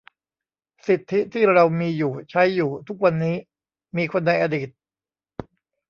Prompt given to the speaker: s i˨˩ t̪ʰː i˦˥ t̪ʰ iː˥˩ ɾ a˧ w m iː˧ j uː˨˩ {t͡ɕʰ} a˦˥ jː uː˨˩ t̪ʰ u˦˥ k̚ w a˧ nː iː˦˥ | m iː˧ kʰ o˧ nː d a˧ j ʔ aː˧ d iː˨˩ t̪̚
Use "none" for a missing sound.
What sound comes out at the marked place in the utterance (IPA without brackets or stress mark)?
t͡ɕʰ